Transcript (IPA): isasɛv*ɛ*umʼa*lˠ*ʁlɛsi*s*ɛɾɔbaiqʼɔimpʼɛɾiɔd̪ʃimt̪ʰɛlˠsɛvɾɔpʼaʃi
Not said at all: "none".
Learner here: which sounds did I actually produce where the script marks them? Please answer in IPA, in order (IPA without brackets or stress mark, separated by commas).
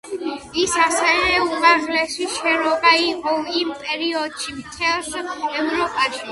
ɛ, none, ʃ